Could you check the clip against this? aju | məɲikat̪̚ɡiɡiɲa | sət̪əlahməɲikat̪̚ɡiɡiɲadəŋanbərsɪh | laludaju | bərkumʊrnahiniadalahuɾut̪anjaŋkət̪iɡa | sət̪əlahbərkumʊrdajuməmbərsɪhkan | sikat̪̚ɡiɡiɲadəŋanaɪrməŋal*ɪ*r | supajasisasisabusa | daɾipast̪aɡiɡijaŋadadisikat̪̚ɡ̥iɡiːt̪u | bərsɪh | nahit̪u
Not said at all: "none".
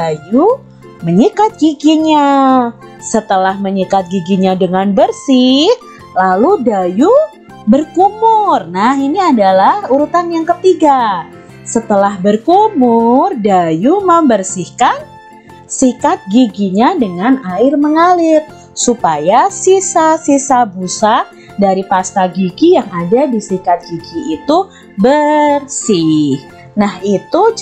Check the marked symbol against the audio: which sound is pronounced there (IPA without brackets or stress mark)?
ɪ